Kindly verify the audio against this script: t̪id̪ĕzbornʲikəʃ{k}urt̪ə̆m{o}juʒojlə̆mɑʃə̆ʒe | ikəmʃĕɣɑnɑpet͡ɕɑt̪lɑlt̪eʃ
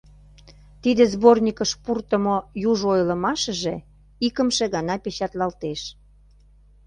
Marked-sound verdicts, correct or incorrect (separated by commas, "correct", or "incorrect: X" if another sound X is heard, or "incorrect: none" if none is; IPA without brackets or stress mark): incorrect: p, correct